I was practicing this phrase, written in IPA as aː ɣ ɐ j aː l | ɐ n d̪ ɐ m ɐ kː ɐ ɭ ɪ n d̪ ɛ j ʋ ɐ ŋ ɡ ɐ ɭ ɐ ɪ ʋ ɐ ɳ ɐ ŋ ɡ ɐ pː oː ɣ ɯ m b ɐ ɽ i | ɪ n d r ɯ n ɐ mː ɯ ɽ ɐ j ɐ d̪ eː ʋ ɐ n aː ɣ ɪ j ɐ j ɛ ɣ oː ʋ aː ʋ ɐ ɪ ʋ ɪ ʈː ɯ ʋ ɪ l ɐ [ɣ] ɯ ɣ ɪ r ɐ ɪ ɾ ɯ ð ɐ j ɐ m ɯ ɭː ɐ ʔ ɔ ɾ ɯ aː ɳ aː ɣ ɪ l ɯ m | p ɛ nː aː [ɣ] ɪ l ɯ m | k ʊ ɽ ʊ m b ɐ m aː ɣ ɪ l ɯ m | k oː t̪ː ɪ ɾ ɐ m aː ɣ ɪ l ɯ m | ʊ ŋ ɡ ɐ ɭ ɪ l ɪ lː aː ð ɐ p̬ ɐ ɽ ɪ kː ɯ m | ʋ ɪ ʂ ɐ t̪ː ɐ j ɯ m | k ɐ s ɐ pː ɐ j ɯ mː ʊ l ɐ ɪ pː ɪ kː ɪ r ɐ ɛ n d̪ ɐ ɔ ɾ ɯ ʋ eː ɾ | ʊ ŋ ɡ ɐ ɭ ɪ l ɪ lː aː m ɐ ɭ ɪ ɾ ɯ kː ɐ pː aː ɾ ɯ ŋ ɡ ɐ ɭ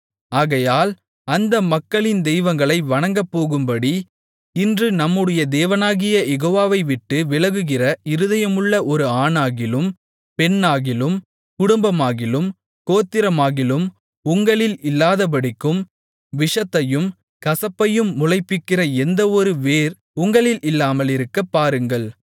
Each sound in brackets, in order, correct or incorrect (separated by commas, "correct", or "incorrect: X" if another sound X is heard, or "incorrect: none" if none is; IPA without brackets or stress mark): correct, correct